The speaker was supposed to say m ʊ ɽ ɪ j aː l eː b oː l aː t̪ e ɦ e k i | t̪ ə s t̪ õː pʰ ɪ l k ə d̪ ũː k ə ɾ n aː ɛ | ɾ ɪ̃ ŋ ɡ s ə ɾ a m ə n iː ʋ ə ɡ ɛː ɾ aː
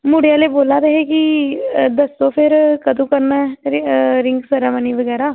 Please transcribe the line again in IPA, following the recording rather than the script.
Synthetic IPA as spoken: m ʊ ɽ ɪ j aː l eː b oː l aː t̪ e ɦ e k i | d̪ ə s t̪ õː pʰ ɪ ɾ k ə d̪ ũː k ə ɾ n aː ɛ | ɾ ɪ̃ ŋ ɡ s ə ɾ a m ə n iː ʋ ə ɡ ɛː ɾ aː